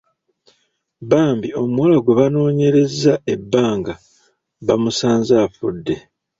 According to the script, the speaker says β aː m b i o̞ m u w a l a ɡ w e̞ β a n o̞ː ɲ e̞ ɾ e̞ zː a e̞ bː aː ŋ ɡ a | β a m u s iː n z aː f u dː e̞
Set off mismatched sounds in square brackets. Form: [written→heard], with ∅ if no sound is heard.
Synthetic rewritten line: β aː m b i o̞ m u w a l a ɡ w e̞ β a n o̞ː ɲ e̞ ɾ e̞ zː a e̞ bː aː ŋ ɡ a | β a m u s [iː→aː] n z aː f u dː e̞